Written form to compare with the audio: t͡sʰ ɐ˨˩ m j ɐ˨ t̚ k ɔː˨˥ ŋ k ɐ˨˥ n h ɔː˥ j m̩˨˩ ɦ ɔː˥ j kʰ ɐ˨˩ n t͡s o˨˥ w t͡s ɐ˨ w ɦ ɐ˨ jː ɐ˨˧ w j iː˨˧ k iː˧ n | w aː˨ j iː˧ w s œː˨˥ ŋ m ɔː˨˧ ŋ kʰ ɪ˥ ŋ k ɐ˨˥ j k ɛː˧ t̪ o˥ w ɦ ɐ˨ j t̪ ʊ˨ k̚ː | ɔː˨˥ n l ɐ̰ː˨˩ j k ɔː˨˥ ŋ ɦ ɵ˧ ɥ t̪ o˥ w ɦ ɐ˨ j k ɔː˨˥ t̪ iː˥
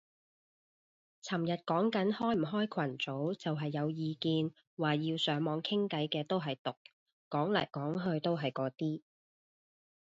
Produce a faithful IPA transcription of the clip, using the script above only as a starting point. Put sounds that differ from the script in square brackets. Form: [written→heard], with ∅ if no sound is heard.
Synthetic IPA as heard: t͡sʰ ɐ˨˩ m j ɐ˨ t̚ k ɔː˨˥ ŋ k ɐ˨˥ n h ɔː˥ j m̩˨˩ ɦ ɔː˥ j kʰ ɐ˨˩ n t͡s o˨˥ w t͡s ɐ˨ w ɦ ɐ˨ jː ɐ˨˧ w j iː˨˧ k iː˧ n | w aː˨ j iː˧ w s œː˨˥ ŋ m ɔː˨˧ ŋ kʰ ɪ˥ ŋ k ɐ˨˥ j k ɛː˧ t̪ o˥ w ɦ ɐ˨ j t̪ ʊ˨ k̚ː | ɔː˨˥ [n→ŋ] l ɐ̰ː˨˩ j k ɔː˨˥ ŋ ɦ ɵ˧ ɥ t̪ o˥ w ɦ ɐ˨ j k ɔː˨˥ t̪ iː˥